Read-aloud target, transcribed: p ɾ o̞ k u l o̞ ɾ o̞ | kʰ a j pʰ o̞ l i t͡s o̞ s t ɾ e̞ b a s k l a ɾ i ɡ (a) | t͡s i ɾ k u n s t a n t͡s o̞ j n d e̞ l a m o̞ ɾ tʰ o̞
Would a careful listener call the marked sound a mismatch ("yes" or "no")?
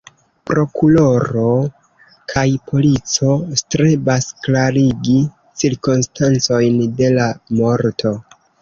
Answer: yes